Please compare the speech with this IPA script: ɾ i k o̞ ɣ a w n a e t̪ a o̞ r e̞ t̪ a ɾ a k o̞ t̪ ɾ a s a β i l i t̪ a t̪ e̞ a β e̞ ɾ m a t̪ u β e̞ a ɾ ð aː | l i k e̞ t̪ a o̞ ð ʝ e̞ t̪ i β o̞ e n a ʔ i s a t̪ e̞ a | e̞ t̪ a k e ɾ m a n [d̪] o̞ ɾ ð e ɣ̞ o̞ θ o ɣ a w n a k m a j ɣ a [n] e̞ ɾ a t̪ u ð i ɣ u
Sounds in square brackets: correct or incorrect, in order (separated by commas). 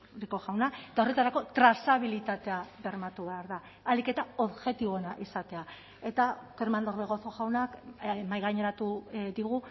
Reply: correct, incorrect